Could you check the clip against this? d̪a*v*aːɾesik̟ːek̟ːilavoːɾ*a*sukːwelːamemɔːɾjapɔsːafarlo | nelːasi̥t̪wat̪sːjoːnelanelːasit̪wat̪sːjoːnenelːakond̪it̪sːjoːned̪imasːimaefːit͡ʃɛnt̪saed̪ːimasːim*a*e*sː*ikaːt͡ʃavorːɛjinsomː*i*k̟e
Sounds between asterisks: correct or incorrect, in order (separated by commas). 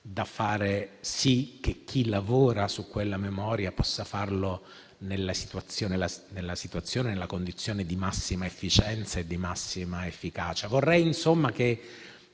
incorrect, correct, correct, incorrect, incorrect